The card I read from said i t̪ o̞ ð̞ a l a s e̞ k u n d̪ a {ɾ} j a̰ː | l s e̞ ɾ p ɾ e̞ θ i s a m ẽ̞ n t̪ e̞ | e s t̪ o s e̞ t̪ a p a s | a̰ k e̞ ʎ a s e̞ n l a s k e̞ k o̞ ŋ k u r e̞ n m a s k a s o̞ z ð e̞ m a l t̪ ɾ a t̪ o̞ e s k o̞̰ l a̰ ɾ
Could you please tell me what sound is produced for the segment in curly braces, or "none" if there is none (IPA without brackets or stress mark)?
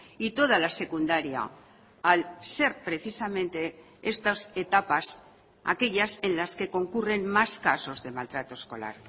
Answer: ɾ